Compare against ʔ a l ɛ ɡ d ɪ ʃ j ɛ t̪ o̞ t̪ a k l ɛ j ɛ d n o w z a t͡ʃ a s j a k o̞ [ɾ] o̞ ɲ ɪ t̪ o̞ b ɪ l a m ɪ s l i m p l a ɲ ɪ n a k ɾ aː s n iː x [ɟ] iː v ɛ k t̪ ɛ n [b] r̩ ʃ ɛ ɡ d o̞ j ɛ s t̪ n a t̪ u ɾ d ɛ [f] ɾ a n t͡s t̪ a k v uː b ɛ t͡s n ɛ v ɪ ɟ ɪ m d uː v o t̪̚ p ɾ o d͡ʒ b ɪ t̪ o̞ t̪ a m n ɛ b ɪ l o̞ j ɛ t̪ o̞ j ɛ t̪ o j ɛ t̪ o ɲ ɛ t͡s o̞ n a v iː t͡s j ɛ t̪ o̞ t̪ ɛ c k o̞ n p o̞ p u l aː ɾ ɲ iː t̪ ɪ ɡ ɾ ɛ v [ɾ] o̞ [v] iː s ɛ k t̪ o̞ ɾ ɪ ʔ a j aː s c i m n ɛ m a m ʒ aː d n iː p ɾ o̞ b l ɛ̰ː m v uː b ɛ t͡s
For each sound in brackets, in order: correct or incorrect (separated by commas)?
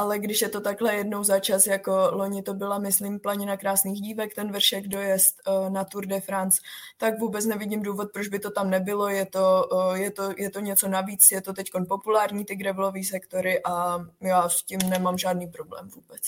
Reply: incorrect, correct, incorrect, correct, incorrect, correct